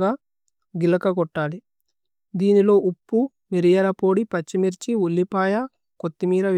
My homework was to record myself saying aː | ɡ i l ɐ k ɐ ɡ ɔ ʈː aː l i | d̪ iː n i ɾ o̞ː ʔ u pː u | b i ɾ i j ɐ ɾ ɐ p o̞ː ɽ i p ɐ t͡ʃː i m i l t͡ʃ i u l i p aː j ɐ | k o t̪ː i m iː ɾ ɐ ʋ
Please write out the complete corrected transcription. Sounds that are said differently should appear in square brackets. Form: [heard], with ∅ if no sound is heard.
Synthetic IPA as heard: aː | ɡ i l ɐ k ɐ ɡ ɔ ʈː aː l i | d̪ iː n i [l] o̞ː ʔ u pː u | [m] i ɾ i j ɐ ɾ ɐ p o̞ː ɽ i p ɐ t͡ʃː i m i [ɾ] t͡ʃ i u [lː] i p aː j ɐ | k o t̪ː i m iː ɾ ɐ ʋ